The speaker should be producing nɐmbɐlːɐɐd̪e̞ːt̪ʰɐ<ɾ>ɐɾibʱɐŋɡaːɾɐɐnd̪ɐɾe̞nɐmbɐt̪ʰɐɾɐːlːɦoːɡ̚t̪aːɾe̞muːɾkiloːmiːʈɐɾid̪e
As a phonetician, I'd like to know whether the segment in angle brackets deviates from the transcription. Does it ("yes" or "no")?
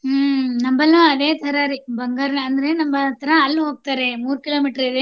no